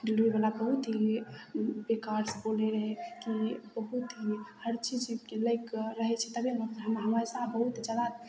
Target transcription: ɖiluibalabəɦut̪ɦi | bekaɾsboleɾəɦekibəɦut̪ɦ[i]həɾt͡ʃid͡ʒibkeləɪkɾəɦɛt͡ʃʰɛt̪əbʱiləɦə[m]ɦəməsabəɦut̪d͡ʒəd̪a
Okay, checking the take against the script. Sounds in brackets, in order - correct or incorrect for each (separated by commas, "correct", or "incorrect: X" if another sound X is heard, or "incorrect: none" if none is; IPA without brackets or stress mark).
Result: correct, correct